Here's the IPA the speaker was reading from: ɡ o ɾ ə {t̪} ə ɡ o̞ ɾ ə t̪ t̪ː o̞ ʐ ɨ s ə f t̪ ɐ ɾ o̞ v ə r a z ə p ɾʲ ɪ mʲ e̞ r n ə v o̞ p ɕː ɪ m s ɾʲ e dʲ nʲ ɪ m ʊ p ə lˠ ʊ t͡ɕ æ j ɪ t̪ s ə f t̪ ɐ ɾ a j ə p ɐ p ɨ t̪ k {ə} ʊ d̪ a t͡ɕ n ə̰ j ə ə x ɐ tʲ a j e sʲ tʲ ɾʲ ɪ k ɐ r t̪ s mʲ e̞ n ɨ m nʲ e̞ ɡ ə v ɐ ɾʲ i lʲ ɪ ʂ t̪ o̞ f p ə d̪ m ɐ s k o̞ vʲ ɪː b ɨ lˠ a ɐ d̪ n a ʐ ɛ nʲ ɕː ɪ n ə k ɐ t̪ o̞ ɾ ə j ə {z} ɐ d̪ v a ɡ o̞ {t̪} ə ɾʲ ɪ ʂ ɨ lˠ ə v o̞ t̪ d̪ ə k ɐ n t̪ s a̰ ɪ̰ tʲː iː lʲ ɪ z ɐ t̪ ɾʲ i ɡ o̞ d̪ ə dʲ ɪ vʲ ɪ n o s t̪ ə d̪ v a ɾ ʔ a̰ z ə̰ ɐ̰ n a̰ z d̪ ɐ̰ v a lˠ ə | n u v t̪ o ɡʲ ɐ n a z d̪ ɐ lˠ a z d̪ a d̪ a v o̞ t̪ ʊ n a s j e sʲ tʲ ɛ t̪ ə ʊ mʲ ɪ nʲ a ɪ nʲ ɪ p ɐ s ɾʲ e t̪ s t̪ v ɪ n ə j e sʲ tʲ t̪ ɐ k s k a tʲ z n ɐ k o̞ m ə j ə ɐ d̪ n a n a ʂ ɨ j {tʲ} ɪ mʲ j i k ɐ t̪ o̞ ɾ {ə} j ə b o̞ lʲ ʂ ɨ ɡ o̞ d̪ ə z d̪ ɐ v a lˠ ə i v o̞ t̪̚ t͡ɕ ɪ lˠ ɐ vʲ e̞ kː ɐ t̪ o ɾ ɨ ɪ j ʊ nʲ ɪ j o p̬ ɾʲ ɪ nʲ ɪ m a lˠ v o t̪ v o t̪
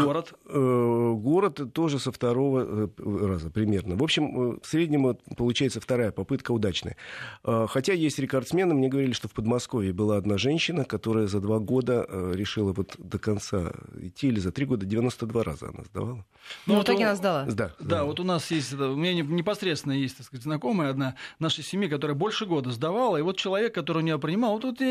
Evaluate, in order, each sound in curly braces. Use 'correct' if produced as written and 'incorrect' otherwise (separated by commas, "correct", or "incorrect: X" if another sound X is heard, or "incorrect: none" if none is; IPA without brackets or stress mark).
correct, correct, correct, incorrect: d̪, incorrect: sʲ, correct